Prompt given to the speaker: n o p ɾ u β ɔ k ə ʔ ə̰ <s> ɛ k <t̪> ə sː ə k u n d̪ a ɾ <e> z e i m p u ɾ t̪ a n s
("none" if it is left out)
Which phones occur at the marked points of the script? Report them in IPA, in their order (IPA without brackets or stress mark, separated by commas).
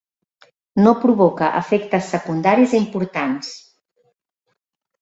f, t̪, i